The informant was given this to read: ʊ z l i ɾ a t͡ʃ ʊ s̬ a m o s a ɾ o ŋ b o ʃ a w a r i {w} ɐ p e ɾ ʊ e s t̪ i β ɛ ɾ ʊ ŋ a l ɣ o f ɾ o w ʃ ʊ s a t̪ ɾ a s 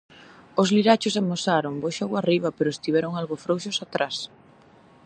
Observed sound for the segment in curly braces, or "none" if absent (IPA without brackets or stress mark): β